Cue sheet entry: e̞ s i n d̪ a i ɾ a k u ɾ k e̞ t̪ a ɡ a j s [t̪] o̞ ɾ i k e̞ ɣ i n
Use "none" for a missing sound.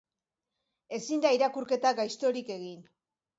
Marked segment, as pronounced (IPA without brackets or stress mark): t̪